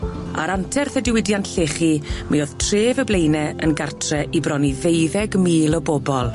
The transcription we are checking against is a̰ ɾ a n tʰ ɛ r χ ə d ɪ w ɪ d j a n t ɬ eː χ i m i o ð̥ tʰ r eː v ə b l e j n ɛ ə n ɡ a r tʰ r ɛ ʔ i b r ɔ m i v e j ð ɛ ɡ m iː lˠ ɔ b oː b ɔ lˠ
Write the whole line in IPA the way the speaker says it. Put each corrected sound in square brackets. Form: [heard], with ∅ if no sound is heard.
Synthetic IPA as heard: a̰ ɾ a n tʰ ɛ r [θ] ə d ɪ w ɪ d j a n t ɬ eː χ i m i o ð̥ tʰ r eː v ə b l e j n ɛ ə n ɡ a r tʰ r ɛ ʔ i b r ɔ [n] i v e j ð ɛ ɡ m iː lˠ ɔ b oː b ɔ lˠ